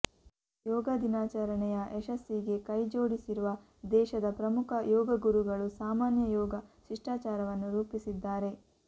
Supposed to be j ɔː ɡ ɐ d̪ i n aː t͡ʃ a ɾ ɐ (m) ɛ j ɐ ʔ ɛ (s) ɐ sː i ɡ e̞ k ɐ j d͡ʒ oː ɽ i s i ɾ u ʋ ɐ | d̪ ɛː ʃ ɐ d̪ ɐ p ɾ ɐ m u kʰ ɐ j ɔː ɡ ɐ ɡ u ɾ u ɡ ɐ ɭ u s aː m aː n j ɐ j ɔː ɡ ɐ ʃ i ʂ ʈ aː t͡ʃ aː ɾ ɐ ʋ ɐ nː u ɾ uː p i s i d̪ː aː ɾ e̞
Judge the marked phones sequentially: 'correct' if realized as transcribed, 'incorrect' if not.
incorrect: ɳ, incorrect: ʃ

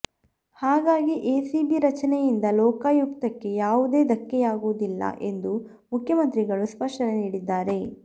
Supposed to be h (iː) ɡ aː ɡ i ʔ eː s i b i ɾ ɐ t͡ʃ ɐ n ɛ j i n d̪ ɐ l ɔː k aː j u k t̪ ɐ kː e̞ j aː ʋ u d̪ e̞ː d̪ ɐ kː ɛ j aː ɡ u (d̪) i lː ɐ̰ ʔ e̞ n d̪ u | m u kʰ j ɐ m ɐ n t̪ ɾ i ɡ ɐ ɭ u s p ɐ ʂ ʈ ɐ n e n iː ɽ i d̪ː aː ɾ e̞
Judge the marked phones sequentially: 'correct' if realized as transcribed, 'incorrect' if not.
incorrect: aː, correct

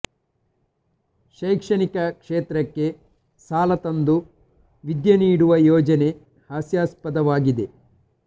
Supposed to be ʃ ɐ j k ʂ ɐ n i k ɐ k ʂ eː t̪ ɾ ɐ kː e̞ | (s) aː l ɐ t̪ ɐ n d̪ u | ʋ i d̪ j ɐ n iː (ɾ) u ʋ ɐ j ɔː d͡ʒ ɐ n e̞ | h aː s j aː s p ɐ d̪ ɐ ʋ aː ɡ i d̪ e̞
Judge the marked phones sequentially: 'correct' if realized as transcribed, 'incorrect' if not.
correct, incorrect: ɽ

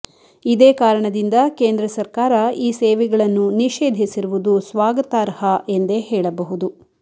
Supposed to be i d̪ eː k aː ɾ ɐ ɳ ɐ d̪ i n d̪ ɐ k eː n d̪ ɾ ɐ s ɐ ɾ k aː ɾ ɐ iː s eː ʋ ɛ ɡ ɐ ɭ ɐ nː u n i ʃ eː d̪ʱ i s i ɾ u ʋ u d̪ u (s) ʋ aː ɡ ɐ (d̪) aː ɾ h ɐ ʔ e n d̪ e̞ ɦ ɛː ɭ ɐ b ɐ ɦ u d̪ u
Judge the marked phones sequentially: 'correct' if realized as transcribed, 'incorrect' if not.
correct, incorrect: t̪

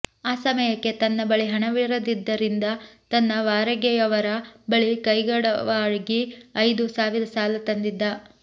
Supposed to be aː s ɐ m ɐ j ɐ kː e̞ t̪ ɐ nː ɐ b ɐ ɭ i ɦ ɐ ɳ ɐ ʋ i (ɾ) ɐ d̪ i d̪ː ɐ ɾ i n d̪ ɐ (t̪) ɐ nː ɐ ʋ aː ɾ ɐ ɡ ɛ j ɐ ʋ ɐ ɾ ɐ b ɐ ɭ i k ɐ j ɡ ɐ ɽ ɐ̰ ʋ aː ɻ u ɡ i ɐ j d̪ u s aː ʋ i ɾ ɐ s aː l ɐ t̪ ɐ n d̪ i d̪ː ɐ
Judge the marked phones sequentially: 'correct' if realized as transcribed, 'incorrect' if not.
correct, correct

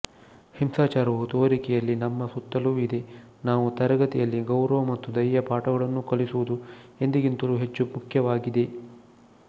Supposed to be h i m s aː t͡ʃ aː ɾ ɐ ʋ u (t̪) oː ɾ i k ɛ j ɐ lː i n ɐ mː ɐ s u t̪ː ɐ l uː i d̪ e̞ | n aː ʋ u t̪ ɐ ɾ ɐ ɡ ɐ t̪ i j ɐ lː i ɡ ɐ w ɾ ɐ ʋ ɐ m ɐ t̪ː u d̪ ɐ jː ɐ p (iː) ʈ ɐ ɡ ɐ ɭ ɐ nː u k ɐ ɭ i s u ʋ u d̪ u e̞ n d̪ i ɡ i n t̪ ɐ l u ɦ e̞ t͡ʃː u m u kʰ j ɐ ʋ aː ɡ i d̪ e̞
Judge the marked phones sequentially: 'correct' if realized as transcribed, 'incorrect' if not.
correct, incorrect: aː

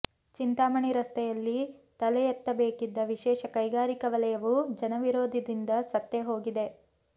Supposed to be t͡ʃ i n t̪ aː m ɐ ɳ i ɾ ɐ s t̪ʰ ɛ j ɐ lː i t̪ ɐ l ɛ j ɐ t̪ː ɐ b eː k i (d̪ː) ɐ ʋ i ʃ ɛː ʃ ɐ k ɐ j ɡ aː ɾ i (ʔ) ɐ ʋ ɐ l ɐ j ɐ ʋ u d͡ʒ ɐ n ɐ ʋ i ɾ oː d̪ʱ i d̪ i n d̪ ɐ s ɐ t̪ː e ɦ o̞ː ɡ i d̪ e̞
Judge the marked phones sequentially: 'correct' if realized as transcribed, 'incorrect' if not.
correct, incorrect: k

